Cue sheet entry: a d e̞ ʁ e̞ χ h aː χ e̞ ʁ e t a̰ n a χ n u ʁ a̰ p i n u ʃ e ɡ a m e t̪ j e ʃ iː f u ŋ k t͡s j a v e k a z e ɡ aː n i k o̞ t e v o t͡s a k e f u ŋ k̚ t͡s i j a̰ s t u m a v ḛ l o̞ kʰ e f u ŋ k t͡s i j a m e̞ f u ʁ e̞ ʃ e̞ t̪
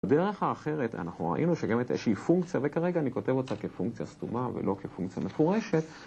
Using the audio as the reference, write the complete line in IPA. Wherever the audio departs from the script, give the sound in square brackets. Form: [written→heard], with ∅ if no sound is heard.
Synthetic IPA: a d e̞ ʁ e̞ χ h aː χ e̞ ʁ e t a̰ n a χ n u ʁ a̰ [p→ʔ] i n u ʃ e ɡ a m e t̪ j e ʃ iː f u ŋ k t͡s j a v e k a [z→ʁ] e ɡ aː n i k o̞ t e v o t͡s a k e f u ŋ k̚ t͡s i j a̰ s t u m a v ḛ l o̞ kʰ e f u ŋ k t͡s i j a m e̞ f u ʁ e̞ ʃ e̞ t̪